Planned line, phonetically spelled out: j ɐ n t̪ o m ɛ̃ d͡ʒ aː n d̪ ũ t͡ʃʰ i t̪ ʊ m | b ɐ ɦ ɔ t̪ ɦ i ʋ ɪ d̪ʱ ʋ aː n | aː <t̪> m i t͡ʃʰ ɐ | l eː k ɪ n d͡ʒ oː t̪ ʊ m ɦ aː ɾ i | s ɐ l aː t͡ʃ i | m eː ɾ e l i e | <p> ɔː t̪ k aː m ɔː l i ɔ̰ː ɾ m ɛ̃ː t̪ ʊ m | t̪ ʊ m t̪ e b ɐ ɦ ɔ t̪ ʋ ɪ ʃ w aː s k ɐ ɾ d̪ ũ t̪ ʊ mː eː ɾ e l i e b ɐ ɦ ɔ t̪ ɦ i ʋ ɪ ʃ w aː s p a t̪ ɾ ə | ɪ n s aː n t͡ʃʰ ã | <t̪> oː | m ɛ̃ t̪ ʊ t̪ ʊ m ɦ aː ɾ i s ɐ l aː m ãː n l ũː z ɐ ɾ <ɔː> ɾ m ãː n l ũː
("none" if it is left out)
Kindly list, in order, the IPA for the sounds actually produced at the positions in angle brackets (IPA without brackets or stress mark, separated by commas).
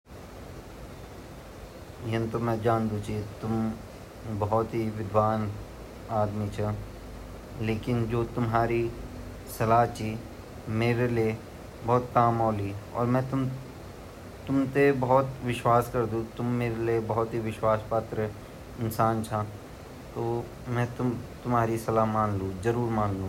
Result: d̪, b, t̪, uː